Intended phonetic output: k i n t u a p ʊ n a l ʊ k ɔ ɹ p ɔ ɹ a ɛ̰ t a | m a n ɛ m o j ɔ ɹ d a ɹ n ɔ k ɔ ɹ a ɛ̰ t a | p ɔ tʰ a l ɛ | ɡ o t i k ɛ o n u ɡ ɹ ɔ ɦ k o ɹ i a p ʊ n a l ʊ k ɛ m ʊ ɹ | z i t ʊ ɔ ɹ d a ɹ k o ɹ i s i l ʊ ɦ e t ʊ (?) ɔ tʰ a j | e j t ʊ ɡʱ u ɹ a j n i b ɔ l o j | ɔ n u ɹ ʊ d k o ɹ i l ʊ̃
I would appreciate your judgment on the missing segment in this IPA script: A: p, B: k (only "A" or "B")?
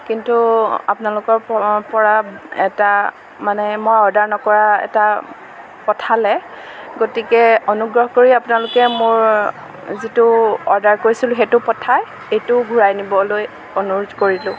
A